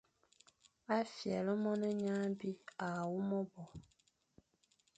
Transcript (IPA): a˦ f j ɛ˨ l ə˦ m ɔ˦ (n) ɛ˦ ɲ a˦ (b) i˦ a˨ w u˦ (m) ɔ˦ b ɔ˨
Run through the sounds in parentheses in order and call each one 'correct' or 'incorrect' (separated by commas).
correct, correct, correct